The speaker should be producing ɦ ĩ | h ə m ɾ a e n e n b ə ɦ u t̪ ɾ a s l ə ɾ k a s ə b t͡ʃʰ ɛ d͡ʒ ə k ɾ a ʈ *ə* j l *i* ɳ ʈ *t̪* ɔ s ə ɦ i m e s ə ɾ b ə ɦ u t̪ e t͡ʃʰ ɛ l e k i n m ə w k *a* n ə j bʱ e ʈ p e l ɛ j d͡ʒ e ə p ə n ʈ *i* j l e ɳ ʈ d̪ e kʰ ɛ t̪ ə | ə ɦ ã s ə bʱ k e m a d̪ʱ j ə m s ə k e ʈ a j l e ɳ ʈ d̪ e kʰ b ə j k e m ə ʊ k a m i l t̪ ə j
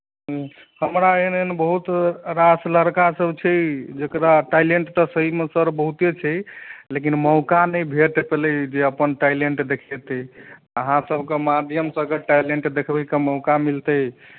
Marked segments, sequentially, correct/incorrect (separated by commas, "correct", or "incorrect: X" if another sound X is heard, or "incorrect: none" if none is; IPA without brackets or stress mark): incorrect: a, incorrect: e, correct, correct, incorrect: a